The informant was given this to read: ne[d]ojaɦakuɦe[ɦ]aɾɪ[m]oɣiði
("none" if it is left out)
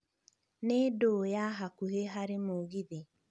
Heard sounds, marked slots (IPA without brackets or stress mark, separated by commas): d, ɦ, m